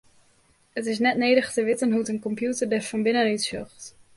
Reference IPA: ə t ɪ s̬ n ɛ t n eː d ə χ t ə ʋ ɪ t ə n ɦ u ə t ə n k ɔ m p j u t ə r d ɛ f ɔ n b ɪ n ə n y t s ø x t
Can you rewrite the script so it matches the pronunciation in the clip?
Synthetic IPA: ə t ɪ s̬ n ɛ t n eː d ə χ t ə ʋ ɪ t ə n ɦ u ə t ə n k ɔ m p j u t ə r d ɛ f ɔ n b ɪ n ə n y t s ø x t